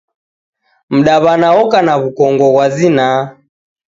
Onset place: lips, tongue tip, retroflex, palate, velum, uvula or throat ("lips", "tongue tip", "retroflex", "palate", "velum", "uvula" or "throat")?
lips